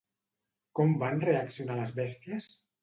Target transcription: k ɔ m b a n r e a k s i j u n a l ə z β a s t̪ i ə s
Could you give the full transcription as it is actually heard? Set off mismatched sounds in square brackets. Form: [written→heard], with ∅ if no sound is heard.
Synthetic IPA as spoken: k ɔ m b a n r e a k s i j u n a l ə z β [a→ɛ] s t̪ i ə s